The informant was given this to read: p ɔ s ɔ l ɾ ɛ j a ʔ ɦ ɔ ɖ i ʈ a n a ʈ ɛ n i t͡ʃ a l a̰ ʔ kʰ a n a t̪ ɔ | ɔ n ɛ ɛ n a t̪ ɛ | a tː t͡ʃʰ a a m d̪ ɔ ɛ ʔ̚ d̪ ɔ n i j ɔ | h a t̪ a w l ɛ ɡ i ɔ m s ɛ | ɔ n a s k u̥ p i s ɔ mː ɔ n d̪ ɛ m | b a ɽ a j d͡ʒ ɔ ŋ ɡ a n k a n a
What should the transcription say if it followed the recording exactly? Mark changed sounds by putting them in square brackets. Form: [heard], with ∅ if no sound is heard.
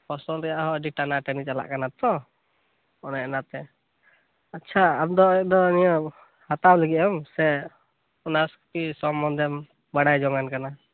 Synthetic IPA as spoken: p ɔ s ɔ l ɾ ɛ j a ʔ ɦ ɔ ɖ i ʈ a n a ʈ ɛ n i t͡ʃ a l a̰ ʔ [k] a n a t̪ ɔ | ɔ n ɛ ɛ n a t̪ ɛ | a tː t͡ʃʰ a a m d̪ ɔ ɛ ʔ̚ d̪ ɔ n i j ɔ | h a t̪ a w l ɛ ɡ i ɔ m s ɛ | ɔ n a s k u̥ p i s ɔ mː ɔ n d̪ ɛ m | b a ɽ a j d͡ʒ ɔ ŋ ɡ a n k a n a